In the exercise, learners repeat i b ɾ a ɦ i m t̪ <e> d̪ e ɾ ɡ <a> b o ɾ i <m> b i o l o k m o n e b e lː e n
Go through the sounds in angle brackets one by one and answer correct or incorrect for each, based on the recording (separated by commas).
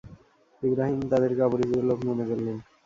incorrect, correct, incorrect